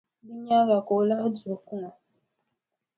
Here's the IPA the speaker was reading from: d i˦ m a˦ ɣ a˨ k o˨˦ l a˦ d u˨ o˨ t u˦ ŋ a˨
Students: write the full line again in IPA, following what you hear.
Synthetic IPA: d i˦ ɲ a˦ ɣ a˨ k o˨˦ l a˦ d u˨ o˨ k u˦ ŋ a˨